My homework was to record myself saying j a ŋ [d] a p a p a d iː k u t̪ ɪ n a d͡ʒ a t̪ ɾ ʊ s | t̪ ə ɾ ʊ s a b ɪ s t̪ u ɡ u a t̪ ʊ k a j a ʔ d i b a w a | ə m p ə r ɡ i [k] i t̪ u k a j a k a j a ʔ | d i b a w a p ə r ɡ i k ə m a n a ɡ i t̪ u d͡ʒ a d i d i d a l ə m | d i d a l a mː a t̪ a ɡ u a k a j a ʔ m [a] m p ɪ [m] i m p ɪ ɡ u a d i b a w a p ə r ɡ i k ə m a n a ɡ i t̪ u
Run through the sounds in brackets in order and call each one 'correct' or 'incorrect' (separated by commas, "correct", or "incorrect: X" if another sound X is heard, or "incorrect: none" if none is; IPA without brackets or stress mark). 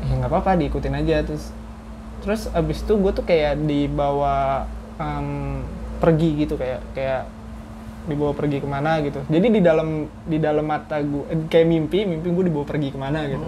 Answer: incorrect: ɡ, incorrect: ɡ, incorrect: i, correct